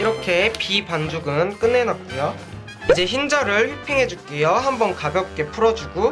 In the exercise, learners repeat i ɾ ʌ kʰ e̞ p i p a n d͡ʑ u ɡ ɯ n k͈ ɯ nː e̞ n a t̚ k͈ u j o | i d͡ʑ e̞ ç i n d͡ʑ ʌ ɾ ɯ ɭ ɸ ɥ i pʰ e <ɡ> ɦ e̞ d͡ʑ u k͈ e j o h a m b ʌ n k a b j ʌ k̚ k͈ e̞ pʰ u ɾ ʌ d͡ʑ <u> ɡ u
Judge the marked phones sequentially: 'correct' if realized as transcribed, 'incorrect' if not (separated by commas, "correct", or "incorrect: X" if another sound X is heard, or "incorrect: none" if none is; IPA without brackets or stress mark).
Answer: incorrect: ŋ, correct